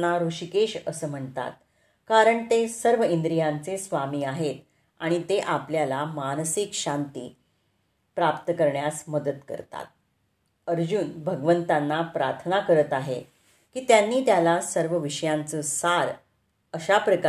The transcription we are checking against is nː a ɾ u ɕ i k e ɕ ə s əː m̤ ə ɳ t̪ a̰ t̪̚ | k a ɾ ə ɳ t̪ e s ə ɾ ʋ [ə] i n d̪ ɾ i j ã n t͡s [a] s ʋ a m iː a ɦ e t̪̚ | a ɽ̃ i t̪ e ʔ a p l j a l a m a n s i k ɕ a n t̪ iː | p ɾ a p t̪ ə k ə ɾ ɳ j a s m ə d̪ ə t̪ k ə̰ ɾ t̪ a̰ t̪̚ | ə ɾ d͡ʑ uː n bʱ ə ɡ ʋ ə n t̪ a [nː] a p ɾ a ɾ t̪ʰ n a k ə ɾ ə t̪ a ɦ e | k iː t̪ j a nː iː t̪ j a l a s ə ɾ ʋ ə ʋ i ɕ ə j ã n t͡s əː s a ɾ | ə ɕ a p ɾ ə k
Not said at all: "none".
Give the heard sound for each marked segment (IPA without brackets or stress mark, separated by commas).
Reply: ə, e, nː